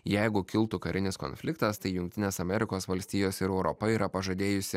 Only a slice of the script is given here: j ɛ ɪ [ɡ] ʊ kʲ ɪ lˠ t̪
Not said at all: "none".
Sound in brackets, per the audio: ɡ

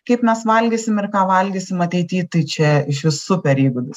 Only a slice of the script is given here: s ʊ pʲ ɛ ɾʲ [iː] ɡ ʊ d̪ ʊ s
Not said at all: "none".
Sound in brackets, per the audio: iː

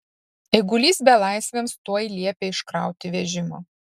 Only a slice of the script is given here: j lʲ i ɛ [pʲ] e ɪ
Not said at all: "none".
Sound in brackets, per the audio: pʲ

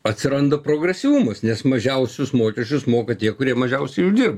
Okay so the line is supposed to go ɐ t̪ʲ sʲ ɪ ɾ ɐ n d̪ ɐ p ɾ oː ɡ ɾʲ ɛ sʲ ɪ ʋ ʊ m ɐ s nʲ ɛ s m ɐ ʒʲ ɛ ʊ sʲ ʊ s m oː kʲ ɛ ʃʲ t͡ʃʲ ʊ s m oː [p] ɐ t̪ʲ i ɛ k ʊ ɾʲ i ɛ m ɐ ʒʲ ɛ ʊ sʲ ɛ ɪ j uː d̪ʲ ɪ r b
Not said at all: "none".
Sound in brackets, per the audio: k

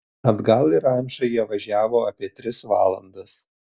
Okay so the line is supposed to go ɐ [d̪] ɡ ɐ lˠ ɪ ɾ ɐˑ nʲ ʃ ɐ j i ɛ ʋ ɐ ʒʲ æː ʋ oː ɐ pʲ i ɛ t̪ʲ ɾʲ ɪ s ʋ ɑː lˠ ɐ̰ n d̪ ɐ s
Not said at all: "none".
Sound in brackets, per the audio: d̪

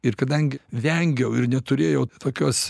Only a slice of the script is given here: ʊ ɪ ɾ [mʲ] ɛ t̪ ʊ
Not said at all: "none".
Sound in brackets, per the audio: nʲ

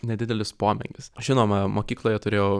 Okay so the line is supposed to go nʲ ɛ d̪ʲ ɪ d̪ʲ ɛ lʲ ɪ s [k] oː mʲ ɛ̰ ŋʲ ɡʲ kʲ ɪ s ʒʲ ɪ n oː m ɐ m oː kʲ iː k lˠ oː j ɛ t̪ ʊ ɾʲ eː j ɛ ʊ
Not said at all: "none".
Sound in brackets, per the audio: p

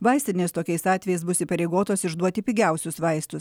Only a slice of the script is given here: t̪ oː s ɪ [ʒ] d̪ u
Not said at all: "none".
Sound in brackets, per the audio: ʒ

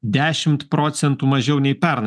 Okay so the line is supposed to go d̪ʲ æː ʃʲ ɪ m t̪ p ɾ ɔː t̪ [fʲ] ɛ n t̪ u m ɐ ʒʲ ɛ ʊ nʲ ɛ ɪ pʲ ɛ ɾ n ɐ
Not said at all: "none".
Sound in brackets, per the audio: sʲ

